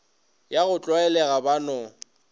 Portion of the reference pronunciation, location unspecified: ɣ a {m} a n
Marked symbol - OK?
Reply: no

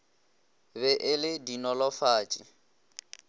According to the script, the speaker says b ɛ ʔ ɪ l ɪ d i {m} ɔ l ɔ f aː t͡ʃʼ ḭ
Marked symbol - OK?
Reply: no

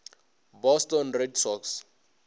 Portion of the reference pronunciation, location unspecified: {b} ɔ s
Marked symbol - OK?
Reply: yes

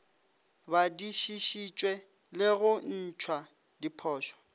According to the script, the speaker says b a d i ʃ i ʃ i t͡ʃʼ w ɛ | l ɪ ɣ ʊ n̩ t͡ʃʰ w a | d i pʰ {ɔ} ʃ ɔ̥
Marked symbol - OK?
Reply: no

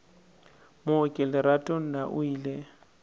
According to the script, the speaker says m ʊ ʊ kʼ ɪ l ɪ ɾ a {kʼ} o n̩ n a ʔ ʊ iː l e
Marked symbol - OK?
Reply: no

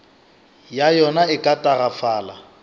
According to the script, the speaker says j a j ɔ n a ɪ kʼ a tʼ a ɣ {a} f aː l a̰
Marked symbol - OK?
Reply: yes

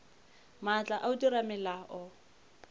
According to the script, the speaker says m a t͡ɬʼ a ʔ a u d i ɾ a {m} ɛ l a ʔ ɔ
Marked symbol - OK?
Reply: yes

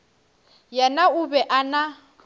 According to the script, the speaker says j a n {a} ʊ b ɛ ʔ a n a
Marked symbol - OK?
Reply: yes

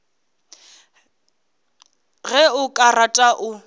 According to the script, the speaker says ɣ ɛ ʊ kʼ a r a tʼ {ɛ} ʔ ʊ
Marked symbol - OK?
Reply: no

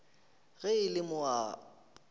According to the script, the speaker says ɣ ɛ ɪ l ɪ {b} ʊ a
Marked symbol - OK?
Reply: no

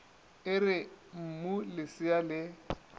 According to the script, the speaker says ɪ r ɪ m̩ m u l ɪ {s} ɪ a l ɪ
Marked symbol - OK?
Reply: yes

